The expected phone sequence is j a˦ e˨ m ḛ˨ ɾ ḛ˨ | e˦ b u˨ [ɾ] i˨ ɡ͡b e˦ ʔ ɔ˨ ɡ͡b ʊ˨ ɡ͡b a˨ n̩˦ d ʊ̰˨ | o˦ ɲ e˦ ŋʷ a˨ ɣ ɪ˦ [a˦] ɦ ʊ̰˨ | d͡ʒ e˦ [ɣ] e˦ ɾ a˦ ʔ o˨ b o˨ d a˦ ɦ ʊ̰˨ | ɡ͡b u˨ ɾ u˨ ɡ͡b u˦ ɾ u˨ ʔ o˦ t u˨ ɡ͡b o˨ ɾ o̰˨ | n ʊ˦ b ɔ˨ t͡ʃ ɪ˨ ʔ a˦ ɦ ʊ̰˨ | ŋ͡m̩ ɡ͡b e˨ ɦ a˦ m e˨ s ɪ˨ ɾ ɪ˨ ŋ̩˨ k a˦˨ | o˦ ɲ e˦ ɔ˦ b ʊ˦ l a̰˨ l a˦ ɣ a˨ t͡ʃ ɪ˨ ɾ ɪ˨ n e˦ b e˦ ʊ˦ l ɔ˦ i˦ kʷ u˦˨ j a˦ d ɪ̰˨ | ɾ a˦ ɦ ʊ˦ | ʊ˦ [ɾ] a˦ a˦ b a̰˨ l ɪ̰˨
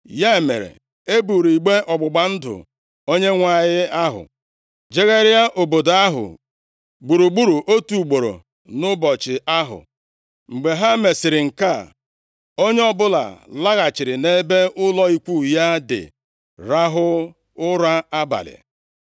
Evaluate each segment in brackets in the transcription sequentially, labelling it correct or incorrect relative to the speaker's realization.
correct, correct, correct, correct

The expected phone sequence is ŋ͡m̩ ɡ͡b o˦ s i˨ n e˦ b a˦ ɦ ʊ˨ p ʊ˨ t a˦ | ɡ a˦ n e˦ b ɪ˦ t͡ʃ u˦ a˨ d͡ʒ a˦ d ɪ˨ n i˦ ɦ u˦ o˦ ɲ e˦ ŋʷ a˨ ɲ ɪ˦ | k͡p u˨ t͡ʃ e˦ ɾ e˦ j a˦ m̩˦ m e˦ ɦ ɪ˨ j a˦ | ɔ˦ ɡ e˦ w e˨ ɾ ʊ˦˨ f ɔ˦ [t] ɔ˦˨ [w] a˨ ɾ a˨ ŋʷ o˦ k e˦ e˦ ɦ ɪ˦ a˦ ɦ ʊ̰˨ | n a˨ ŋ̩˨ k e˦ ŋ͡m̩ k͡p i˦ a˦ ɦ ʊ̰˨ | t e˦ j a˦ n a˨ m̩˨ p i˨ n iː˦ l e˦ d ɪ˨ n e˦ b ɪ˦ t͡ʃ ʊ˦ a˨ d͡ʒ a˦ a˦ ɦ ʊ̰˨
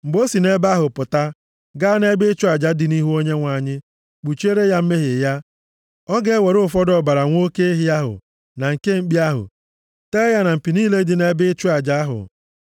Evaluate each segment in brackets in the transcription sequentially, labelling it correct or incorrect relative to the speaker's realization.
incorrect: d, incorrect: b

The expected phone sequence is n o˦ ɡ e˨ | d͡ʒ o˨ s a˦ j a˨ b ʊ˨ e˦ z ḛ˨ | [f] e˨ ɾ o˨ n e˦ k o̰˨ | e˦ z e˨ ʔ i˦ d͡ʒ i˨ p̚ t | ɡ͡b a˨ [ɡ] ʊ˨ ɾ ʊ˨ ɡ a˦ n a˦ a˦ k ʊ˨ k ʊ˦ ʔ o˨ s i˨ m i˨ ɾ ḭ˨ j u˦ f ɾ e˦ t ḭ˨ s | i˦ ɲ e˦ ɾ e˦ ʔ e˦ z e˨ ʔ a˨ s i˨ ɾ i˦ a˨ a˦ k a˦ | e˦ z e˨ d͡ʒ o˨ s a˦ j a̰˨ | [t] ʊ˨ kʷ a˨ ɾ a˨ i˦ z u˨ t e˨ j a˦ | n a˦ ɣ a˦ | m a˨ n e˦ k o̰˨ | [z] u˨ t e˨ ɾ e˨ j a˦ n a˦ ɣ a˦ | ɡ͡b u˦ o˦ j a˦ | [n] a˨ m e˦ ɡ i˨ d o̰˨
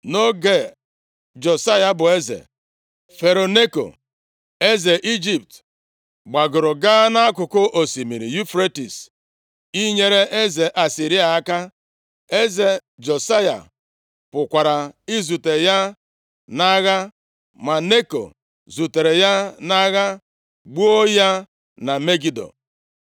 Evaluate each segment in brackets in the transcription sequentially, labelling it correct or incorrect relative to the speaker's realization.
correct, correct, incorrect: p, correct, correct

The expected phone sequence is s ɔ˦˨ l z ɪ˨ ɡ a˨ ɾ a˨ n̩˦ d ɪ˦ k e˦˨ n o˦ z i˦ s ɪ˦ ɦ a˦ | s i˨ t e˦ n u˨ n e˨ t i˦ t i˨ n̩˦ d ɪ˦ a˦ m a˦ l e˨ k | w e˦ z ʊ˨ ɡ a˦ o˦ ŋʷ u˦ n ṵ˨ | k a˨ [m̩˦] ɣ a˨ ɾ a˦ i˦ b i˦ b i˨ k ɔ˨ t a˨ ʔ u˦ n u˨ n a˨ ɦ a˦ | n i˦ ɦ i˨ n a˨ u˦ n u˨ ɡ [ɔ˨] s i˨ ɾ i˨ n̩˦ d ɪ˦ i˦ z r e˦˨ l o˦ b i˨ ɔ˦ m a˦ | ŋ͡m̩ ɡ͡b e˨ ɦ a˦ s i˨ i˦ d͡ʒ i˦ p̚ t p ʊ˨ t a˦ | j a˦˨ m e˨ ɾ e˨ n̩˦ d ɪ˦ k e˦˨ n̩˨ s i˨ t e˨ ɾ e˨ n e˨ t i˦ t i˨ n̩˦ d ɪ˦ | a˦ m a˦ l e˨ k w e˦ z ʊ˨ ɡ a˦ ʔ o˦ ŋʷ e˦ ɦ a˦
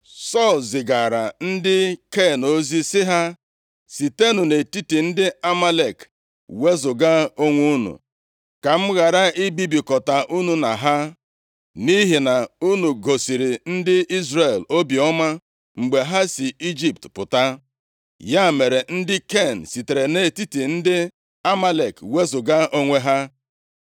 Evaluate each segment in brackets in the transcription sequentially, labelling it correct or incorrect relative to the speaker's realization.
correct, incorrect: o˨

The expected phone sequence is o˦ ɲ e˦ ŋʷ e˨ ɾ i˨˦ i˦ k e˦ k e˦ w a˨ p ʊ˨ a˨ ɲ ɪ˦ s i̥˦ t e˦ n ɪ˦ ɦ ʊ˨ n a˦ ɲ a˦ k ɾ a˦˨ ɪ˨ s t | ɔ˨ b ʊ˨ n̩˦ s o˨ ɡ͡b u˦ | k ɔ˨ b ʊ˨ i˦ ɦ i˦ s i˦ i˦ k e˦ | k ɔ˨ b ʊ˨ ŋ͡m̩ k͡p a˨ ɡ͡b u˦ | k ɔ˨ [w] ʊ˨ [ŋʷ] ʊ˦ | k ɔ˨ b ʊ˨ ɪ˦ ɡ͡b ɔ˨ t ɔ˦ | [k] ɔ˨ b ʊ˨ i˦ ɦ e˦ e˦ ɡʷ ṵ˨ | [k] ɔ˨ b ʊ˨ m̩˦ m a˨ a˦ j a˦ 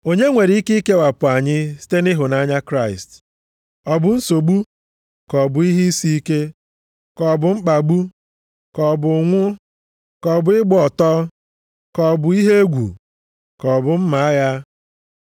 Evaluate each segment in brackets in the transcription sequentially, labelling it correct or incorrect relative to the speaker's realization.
incorrect: b, correct, correct, correct

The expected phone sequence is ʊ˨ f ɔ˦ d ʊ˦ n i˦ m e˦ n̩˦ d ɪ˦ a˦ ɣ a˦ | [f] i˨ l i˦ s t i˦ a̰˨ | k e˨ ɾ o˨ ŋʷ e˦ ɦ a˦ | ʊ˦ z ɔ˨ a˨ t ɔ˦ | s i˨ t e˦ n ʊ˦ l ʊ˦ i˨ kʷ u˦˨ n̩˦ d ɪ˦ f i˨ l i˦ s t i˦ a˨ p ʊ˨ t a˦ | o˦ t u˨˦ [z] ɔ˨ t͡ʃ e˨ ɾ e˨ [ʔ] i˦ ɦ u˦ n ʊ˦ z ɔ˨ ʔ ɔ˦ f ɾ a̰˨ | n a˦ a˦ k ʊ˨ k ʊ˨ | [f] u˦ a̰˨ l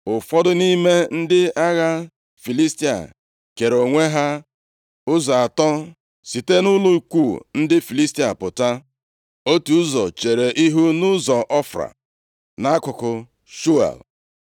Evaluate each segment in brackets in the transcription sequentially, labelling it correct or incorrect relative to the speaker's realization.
correct, correct, correct, incorrect: ʃ

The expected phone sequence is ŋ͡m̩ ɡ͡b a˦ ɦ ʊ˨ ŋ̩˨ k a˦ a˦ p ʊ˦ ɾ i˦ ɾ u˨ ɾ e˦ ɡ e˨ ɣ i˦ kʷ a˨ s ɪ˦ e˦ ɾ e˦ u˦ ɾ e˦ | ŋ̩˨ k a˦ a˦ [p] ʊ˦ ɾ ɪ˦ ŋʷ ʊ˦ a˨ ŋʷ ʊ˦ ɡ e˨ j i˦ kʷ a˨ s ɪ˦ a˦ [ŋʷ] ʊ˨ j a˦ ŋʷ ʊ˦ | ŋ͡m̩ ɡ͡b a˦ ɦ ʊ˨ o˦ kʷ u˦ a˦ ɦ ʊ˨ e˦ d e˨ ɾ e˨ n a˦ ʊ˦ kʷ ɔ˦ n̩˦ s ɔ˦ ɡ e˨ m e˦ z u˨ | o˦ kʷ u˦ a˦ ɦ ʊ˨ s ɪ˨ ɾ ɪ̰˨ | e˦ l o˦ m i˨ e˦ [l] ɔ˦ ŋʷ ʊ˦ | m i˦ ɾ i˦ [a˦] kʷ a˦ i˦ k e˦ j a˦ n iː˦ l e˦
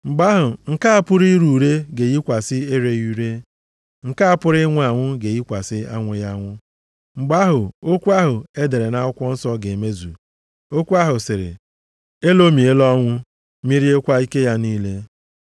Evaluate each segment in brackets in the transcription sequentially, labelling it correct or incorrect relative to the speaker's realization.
correct, correct, correct, incorrect: e˦

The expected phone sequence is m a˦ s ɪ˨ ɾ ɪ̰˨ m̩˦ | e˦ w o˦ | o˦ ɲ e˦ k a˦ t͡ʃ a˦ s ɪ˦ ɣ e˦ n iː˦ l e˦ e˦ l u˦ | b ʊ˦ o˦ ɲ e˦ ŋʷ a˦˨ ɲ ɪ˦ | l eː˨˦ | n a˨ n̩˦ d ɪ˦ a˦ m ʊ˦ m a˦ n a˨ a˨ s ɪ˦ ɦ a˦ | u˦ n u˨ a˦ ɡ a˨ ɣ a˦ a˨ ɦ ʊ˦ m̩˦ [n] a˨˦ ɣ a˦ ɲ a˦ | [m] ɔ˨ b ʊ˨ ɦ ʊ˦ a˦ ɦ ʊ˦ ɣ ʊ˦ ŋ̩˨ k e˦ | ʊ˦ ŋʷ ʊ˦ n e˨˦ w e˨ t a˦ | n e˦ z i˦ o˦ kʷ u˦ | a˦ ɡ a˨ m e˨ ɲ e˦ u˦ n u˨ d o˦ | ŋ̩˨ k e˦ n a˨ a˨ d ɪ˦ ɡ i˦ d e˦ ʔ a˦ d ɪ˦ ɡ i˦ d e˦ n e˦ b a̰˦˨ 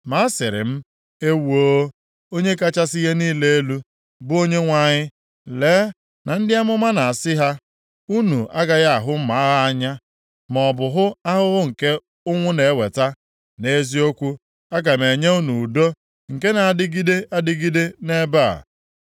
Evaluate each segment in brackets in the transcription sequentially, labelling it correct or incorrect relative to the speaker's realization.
incorrect: m, correct

